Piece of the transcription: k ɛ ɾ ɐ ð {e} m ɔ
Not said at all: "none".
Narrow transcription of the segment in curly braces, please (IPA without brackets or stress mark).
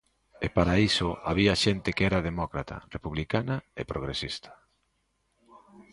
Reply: e